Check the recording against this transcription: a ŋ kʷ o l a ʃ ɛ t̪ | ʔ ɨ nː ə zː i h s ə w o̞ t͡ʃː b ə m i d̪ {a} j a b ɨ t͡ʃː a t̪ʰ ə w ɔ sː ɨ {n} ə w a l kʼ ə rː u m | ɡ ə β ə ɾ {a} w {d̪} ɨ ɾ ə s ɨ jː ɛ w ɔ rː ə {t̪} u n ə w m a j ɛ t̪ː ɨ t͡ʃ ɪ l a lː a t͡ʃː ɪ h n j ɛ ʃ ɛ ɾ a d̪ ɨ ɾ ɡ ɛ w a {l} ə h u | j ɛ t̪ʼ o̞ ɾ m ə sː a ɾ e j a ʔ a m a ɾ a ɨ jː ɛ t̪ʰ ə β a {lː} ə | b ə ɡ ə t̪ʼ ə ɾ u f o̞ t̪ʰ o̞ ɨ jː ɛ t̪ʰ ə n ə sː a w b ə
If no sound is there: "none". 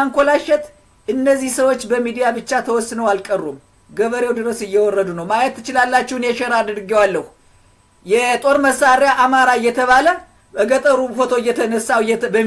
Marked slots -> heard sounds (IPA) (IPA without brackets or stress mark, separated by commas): i, n, e, d̪, d̪, lː, l